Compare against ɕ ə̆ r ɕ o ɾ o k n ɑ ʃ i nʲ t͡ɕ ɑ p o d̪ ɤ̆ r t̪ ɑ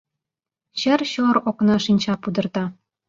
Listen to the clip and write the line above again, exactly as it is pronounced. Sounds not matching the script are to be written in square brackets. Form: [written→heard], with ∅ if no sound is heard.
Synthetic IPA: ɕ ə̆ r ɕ o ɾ o k n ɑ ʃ i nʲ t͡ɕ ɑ p [o→u] d̪ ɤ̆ r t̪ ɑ